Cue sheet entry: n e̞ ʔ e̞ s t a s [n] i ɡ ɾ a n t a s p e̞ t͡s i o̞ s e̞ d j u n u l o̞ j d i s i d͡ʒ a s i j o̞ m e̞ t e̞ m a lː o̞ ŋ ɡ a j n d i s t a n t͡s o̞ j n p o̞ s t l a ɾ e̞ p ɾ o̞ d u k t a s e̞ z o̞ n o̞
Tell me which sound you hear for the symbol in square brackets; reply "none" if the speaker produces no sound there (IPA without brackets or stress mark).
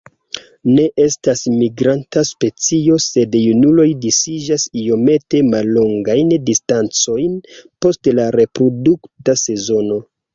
m